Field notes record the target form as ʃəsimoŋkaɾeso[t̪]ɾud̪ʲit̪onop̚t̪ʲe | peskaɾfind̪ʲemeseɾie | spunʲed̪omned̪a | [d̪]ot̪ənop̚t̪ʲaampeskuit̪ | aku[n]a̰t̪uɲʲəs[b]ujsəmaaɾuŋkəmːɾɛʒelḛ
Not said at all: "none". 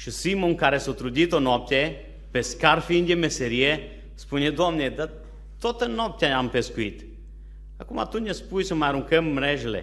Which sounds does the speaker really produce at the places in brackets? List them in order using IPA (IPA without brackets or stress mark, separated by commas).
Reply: t̪, t̪, m, p